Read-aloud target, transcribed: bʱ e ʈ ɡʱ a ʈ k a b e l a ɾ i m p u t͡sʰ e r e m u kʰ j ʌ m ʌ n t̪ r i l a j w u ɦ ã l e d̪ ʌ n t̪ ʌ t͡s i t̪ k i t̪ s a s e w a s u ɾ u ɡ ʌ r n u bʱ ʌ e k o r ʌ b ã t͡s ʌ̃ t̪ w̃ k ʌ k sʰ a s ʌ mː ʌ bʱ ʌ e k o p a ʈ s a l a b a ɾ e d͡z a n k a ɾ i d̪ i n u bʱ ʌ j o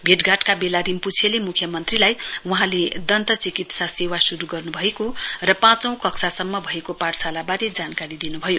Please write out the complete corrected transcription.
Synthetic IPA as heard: bʱ e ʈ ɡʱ a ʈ k a b e l a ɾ i m p u t͡sʰ e l e m u kʰ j ʌ m ʌ n t̪ r i l a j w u ɦ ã l e d̪ ʌ n t̪ ʌ t͡s i k i t̪ s a s e w a s u ɾ u ɡ ʌ r n u bʱ ʌ e k o r ʌ p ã t͡s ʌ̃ w̃ k ʌ k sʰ a s ʌ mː ʌ bʱ ʌ e k o p a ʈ s a l a b a ɾ e d͡z a n k a ɾ i d̪ i n u bʱ ʌ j o